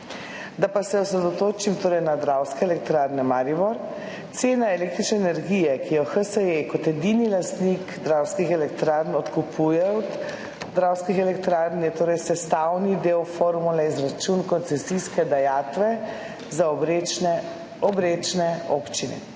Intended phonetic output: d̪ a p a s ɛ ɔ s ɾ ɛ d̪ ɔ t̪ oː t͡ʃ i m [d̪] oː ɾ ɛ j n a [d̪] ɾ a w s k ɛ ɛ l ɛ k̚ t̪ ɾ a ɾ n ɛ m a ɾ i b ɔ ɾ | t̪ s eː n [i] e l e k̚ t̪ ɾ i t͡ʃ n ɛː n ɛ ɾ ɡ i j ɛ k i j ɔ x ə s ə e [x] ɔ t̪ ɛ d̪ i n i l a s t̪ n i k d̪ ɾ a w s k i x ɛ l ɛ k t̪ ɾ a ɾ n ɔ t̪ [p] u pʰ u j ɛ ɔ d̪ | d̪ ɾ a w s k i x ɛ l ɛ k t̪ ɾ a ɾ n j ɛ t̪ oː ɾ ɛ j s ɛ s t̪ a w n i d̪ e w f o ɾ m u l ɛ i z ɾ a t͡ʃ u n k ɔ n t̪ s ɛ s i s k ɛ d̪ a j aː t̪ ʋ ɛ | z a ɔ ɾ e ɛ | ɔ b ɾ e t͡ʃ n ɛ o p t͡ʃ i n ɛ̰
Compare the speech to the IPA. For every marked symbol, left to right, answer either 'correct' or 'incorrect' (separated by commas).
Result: incorrect, correct, incorrect, incorrect, incorrect